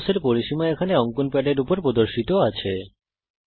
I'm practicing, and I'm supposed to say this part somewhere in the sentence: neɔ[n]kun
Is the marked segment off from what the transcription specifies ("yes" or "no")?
yes